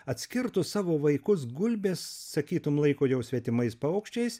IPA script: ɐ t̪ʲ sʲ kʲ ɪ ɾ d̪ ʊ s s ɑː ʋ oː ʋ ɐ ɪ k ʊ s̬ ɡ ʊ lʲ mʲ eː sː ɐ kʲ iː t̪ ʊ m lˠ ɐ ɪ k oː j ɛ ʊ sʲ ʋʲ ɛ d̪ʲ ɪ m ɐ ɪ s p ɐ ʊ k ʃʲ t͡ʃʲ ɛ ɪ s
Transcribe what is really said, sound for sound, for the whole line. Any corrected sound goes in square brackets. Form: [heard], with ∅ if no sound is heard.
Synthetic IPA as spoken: ɐ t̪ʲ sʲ kʲ ɪ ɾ [t̪] ʊ s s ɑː ʋ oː ʋ ɐ ɪ k ʊ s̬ ɡ ʊ lʲ [bʲ] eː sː ɐ kʲ iː t̪ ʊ m lˠ ɐ ɪ k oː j ɛ ʊ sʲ ʋʲ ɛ [t̪ʲ] ɪ m ɐ ɪ s p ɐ ʊ k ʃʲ t͡ʃʲ ɛ ɪ s